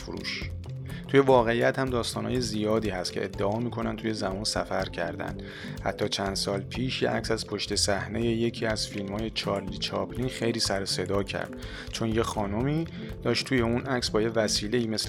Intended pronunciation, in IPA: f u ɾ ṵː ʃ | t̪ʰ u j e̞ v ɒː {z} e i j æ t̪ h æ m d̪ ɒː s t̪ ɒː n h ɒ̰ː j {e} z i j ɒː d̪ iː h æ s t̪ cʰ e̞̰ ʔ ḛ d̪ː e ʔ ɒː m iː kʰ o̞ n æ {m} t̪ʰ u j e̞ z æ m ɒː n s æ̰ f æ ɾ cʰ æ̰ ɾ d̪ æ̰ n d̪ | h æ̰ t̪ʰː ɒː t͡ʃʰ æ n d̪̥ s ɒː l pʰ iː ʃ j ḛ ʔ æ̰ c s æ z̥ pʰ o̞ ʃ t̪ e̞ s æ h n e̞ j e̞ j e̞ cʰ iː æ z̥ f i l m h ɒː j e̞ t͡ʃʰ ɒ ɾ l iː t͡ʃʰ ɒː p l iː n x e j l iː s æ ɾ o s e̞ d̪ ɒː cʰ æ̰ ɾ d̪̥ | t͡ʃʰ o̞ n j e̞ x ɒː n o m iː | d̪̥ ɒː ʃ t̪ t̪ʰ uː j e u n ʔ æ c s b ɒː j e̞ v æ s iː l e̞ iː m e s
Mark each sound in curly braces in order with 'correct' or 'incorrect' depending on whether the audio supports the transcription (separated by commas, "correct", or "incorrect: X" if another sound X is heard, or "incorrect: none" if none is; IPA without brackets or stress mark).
incorrect: ɣ, correct, incorrect: n